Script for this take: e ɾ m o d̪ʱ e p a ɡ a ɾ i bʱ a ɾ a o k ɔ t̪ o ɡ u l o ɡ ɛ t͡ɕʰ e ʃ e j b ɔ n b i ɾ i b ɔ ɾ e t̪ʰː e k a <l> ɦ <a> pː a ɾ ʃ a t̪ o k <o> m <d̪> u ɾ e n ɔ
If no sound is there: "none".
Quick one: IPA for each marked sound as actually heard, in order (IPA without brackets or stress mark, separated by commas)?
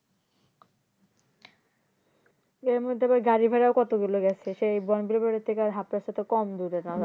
ɾ, a, ɔ, d̪